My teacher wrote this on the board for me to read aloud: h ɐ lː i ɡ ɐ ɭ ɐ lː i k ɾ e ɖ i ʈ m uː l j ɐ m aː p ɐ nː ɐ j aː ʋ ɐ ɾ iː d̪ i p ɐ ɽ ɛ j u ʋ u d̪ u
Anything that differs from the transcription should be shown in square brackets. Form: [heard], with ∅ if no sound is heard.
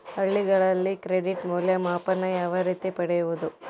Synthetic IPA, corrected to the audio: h ɐ [ɭː] i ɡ ɐ ɭ ɐ lː i k ɾ e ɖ i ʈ m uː l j ɐ m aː p ɐ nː ɐ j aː ʋ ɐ ɾ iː [t̪] i p ɐ ɽ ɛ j u ʋ u d̪ u